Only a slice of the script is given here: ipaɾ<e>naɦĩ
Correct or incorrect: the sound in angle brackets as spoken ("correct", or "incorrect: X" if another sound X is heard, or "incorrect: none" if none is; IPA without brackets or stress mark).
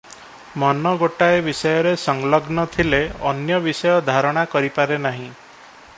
correct